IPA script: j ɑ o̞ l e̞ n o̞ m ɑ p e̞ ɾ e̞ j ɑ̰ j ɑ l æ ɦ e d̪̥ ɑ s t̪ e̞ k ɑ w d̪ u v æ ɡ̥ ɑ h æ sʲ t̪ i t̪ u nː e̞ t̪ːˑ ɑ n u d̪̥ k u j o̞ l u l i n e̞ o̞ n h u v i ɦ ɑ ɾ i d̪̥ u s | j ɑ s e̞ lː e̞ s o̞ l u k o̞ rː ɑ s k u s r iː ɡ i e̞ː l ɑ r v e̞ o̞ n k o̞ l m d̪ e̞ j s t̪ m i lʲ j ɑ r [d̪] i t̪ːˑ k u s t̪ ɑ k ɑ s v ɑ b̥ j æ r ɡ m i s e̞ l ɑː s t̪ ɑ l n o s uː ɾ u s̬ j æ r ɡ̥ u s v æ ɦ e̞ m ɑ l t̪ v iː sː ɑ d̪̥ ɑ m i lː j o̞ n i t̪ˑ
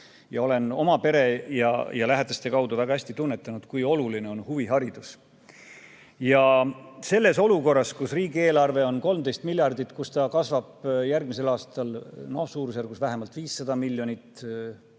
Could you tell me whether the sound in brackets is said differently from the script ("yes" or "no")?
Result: no